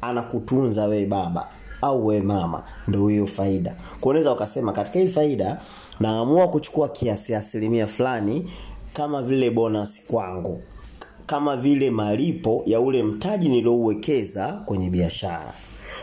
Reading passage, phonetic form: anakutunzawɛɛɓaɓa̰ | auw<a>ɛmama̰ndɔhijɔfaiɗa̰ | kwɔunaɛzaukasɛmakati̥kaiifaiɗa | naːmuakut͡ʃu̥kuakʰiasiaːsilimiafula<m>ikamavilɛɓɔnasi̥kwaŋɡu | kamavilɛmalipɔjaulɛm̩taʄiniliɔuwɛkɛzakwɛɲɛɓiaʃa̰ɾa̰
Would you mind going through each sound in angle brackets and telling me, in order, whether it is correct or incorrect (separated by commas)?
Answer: incorrect, incorrect